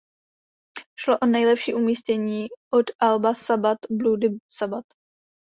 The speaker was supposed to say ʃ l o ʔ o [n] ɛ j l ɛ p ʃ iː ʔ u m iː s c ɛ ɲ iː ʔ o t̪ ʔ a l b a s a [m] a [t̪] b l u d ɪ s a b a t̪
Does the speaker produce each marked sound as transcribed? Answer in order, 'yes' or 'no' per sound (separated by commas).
yes, no, yes